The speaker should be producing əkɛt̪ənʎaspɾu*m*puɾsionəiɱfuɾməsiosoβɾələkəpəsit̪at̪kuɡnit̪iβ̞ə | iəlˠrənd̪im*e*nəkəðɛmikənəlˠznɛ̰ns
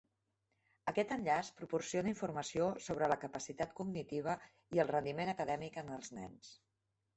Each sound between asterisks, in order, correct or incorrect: incorrect, correct

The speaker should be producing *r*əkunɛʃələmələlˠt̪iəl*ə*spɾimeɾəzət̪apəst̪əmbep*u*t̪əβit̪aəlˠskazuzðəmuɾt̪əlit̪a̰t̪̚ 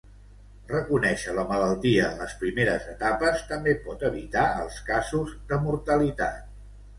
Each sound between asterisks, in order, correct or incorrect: correct, correct, incorrect

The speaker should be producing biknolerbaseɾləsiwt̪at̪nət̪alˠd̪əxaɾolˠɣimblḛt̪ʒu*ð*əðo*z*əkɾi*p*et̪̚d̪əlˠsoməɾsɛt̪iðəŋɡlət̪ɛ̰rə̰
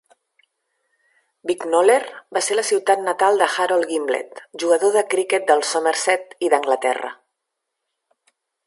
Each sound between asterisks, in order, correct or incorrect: incorrect, incorrect, incorrect

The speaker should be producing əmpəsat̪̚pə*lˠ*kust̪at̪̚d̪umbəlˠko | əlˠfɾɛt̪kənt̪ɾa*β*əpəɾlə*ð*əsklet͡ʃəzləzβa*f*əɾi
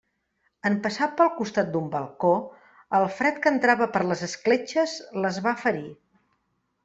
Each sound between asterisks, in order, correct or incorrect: correct, correct, incorrect, correct

